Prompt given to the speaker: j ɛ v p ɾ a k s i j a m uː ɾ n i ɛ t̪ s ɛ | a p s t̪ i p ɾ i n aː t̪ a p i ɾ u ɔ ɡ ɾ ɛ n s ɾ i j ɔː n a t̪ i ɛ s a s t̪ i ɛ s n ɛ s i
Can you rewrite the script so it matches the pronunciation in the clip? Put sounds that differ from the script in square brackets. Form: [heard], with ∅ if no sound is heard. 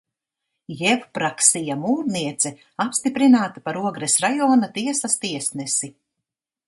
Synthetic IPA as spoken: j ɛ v p ɾ a k s i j a m uː ɾ n i ɛ t̪ s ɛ | a p s t̪ i p ɾ i n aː t̪ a p [a] ɾ u ɔ ɡ ɾ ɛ [∅] s ɾ [a] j ɔː n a t̪ i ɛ s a s t̪ i ɛ s n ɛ s i